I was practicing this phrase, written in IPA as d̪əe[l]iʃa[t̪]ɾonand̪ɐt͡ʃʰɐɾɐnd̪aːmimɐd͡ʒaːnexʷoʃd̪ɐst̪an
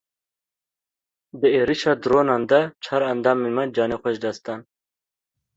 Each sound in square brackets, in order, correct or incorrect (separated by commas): incorrect, incorrect